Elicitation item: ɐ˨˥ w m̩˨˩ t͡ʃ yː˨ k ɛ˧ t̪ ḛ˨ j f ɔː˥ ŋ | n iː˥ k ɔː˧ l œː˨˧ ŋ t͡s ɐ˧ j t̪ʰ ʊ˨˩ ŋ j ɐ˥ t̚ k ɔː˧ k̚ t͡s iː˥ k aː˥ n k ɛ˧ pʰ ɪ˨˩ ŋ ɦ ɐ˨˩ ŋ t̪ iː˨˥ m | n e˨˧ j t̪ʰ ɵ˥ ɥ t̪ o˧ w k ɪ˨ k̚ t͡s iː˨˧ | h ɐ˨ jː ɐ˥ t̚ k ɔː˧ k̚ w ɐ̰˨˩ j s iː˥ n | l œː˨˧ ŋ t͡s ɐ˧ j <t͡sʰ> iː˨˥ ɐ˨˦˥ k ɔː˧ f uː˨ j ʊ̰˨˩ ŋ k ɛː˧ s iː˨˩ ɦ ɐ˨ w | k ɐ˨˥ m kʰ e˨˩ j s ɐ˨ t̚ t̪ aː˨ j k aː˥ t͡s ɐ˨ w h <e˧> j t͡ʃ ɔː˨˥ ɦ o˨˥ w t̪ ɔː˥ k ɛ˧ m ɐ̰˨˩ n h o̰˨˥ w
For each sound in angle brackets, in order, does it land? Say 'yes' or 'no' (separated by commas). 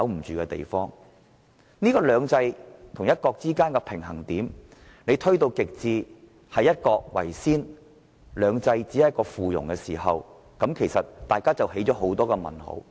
no, no